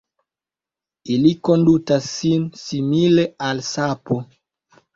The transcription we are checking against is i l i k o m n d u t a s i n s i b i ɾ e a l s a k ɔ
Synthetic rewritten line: i l i k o n d u t a s i n s i m i l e a l s a p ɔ